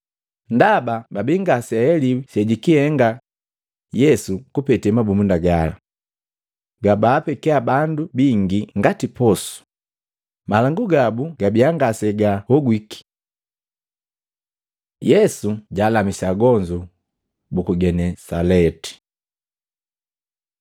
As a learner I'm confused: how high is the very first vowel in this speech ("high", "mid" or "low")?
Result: low